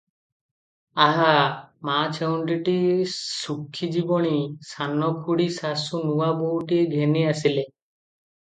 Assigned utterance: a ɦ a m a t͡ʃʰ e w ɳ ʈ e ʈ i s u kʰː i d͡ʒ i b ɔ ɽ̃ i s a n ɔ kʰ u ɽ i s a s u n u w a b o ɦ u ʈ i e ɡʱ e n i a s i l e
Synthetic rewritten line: a ɦ a m a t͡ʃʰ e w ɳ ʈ i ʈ i s u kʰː i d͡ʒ i b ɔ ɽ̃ i s a n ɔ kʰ u ɽ i s a s u n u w a b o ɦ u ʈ i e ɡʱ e n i a s i l e